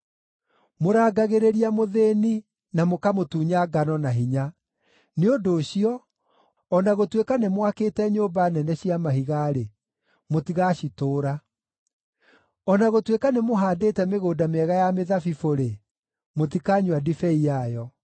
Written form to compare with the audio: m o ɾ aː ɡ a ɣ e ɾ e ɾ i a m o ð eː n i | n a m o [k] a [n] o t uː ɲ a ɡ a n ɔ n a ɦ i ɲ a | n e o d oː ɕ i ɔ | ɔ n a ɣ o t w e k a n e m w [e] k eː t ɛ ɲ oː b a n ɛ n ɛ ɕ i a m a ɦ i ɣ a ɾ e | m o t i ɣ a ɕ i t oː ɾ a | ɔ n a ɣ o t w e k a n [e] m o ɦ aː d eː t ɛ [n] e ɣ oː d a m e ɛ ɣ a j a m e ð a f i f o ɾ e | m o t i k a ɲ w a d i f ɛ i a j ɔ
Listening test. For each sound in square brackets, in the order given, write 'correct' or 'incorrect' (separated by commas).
correct, incorrect, incorrect, correct, incorrect